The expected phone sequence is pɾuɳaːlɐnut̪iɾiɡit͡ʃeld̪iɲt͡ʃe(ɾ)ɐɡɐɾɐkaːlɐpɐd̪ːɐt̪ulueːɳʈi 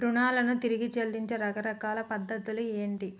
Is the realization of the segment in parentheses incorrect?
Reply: no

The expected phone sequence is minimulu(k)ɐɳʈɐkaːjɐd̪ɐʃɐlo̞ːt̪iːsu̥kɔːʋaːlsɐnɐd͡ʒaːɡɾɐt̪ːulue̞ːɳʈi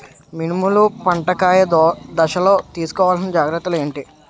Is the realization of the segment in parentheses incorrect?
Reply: yes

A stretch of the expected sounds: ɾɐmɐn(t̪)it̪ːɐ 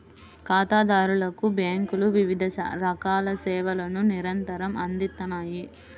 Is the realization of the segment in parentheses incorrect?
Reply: yes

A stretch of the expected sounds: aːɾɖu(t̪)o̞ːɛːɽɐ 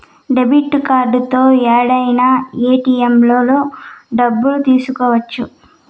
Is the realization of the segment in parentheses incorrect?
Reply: no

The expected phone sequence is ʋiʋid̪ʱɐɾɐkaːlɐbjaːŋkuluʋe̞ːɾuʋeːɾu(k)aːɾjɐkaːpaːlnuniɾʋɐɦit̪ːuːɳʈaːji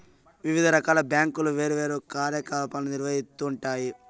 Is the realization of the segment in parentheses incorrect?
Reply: no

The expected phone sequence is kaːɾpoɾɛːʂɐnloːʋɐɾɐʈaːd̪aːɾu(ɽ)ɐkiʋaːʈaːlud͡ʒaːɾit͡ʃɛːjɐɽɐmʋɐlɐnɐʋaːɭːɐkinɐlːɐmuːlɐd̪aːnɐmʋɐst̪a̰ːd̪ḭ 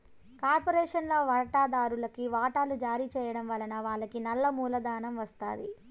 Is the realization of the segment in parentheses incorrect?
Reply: yes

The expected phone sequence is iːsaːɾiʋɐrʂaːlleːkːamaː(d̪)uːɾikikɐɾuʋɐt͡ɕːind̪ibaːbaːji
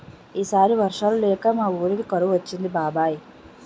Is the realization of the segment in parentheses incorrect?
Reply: yes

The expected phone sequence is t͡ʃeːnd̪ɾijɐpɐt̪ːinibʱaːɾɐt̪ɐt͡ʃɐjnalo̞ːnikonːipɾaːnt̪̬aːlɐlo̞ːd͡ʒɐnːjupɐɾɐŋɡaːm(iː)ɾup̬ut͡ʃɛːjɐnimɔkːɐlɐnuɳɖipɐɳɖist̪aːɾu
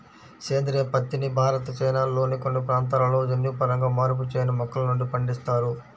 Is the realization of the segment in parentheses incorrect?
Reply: yes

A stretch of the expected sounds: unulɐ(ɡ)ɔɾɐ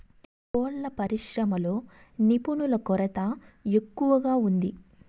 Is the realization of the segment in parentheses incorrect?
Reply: yes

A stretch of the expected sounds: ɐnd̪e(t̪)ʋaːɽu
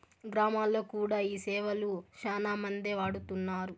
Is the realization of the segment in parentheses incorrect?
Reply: yes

